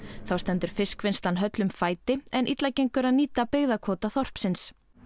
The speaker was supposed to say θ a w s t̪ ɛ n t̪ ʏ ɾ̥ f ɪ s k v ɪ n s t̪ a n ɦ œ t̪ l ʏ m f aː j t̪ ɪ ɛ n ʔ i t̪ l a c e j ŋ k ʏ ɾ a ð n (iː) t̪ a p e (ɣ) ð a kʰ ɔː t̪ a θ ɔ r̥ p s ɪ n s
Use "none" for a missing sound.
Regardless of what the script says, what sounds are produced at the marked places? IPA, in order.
iː, ɣ

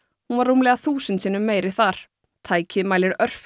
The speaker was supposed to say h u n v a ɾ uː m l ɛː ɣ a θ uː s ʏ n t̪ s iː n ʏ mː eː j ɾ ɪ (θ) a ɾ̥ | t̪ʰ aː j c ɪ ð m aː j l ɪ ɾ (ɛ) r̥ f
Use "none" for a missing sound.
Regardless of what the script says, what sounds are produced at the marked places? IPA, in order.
θ, œ

